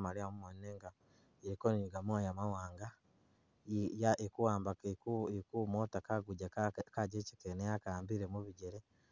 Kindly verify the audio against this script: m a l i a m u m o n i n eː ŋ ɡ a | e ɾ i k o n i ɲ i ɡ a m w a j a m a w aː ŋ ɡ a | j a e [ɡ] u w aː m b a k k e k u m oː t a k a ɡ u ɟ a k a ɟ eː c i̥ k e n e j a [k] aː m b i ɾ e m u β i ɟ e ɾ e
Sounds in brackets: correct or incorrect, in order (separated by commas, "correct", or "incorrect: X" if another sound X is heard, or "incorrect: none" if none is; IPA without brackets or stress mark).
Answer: incorrect: k, correct